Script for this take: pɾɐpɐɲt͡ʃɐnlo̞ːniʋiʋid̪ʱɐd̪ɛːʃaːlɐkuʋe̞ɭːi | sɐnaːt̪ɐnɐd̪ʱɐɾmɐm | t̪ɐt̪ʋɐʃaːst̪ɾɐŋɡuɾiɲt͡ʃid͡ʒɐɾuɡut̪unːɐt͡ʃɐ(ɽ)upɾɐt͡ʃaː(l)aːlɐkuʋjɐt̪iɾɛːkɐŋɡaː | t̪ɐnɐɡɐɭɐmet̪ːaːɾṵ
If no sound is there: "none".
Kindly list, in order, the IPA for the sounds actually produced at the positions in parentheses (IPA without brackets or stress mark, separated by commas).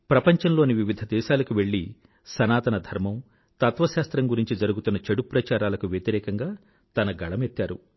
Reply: ɽ, ɾ